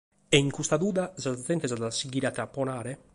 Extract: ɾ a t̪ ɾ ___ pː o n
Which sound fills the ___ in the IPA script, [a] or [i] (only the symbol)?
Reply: a